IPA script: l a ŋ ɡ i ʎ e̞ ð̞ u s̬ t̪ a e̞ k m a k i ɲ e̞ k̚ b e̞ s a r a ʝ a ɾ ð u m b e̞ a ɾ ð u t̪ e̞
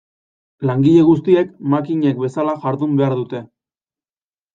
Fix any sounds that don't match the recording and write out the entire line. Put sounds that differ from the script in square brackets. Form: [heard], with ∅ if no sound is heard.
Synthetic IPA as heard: l a ŋ ɡ i ʎ e̞ [ɣ̞] u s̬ t̪ [i] e̞ k m a k i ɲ e̞ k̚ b e̞ s a [l] a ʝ a ɾ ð u m b e̞ a ɾ ð u t̪ e̞